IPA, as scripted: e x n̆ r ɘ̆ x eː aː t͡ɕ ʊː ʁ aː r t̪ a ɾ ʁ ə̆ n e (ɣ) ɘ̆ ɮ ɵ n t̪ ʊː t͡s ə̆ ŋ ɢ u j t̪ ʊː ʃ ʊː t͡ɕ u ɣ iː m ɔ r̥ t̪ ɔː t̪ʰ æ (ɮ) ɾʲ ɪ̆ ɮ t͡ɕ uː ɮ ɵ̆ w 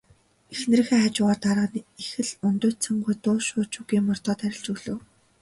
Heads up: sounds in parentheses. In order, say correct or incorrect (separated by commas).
incorrect, incorrect